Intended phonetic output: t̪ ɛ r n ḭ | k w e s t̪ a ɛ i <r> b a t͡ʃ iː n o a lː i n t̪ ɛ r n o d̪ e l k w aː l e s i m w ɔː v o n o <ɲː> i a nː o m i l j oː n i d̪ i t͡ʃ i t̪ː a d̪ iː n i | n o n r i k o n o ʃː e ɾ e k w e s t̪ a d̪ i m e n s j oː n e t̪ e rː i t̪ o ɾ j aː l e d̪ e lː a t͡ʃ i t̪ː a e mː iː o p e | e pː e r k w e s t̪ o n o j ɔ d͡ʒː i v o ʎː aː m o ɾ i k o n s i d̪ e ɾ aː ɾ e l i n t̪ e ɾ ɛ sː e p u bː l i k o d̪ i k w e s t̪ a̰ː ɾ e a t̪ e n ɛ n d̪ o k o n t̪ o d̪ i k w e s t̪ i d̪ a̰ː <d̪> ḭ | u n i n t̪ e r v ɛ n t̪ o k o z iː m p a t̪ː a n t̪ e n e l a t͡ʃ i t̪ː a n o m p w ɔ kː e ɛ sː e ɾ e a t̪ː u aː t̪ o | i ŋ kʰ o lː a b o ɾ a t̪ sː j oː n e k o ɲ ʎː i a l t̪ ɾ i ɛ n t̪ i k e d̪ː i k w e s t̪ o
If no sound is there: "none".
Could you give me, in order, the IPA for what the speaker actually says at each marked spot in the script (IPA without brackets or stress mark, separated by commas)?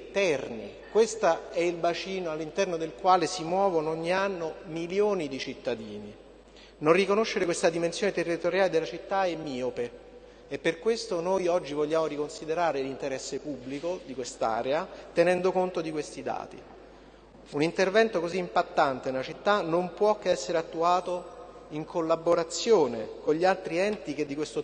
l, ɲː, t̪